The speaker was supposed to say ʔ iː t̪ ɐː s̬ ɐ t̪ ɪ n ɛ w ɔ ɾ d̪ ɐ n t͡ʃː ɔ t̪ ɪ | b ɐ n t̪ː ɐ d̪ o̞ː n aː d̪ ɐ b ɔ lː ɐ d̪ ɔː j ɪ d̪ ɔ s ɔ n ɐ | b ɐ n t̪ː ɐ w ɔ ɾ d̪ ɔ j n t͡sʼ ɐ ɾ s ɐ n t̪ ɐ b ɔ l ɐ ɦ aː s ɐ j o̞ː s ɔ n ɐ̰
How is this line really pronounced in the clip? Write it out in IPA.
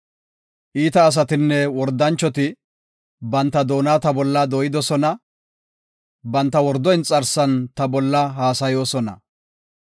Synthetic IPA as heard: ʔ iː t̪ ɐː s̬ ɐ t̪ ɪ nː ɛ w ɔ ɾ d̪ ɐ n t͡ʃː ɔ t̪ ɪ | b ɐ n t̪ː ɐ d̪ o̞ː n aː t̪ ɐ b ɔ lː ɐ d̪ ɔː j ɪ d̪ ɔ s ɔ n ɐ | b ɐ n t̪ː ɐ w ɔ ɾ d̪ ɔ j n t͡sʼ ɐ ɾ s ɐ n t̪ ɐ b ɔ lː ɐ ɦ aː s ɐ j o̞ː s ɔ n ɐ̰